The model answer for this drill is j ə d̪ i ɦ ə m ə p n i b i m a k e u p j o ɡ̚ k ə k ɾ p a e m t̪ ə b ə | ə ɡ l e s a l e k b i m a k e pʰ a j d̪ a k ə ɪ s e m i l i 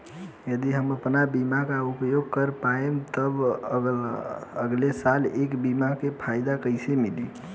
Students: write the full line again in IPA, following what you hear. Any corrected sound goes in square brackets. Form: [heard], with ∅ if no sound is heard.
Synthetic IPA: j ə d̪ i ɦ ə m ə p n [a] b i m a k [a] u p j o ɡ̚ k ə [∅] ɾ p a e m t̪ ə b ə | ə ɡ l e s a l e k b i m a k e pʰ a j d̪ a k ə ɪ s e m i l i